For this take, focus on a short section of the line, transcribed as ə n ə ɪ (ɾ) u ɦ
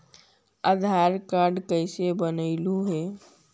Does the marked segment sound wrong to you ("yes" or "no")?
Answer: yes